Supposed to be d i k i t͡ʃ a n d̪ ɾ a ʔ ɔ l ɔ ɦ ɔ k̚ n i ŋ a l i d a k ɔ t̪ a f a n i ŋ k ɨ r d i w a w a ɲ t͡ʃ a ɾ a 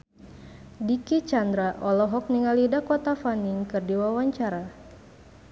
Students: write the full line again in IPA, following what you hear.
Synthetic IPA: d i k i t͡ʃ a n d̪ ɾ a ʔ ɔ l ɔ ɦ ɔ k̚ n i ŋ a l i d a k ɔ t̪ a f a n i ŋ k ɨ r d i w a w a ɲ t͡ʃ a ɾ a